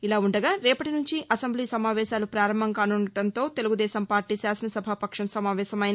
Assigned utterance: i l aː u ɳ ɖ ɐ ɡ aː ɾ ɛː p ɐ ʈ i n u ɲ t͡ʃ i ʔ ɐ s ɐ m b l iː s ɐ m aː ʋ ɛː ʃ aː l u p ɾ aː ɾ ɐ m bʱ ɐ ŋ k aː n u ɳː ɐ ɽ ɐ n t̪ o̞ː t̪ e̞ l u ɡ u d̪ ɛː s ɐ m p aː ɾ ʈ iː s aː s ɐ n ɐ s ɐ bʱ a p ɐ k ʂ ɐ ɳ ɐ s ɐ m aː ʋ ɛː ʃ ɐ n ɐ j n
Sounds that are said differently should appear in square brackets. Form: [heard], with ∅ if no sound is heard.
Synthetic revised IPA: i l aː u ɳ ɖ ɐ ɡ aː ɾ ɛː p ɐ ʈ i n u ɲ t͡ʃ i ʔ ɐ s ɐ m b l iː s ɐ m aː ʋ ɛː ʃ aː l u p ɾ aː ɾ ɐ m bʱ ɐ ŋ k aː n u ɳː ɐ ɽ ɐ n t̪ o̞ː t̪ e̞ l u ɡ u d̪ ɛː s ɐ m p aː ɾ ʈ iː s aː s ɐ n ɐ s ɐ bʱ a p ɐ k ʂ ɐ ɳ ɐ s ɐ m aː ʋ ɛː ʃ ɐ [m] ɐ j n